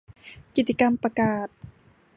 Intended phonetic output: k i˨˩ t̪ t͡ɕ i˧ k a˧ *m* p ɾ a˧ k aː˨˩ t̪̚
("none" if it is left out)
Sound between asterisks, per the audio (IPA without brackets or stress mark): m